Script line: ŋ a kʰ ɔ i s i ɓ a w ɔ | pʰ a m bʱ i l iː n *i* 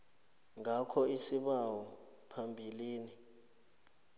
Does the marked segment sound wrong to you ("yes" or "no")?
no